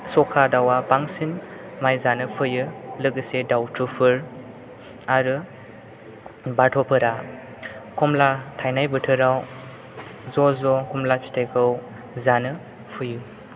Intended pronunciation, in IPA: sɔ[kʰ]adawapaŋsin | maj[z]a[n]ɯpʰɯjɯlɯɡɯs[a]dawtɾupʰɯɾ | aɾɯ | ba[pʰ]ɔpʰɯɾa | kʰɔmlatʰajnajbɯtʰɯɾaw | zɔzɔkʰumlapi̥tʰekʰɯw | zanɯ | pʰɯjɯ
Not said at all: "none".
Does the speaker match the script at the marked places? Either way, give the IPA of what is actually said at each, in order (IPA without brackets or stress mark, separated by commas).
kʰ, z, n, e, tʰ